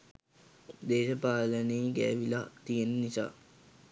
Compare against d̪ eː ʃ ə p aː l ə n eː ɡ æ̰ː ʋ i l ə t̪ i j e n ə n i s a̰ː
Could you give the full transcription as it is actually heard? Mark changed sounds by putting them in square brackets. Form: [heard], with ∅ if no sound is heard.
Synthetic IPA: d̪ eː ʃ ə p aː l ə n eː ɡ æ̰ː ʋ i l [a] t̪ i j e n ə n i s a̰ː